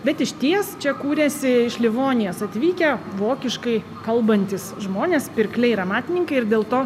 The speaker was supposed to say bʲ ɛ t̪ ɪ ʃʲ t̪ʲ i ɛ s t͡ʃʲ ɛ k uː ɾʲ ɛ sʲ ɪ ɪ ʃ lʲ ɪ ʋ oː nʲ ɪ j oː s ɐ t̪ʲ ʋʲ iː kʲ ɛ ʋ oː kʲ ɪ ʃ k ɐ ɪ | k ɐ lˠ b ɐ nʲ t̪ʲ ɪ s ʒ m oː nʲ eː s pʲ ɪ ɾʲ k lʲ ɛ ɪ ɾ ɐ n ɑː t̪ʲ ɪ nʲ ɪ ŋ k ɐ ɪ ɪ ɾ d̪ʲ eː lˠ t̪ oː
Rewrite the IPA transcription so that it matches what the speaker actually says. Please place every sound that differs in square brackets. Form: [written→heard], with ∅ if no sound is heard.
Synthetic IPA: bʲ ɛ t̪ ɪ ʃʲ t̪ʲ i ɛ s t͡ʃʲ ɛ k uː ɾʲ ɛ sʲ ɪ ɪ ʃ lʲ ɪ ʋ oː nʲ ɪ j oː s ɐ t̪ʲ ʋʲ iː kʲ ɛ ʋ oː kʲ ɪ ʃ k ɐ ɪ | k ɐ lˠ b ɐ nʲ t̪ʲ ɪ s ʒ m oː nʲ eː s pʲ ɪ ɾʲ k lʲ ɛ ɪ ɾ ɐ [n→m] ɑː t̪ʲ ɪ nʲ ɪ ŋ k ɐ ɪ ɪ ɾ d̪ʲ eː lˠ t̪ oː